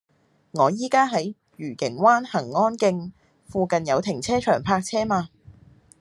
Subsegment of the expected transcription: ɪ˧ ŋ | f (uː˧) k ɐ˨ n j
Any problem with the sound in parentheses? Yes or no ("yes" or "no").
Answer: no